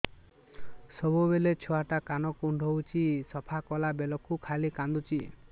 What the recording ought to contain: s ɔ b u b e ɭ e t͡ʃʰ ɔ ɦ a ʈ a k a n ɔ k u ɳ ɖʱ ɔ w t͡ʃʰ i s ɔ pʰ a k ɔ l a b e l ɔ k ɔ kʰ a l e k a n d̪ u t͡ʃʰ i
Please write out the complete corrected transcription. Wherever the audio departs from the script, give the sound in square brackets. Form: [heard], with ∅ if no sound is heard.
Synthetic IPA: s ɔ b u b e [l] e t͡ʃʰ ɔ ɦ a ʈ a k a n ɔ k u ɳ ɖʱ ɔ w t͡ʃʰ i s ɔ pʰ a k ɔ l a b e l ɔ k [u] kʰ a l [i] k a n d̪ u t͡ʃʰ i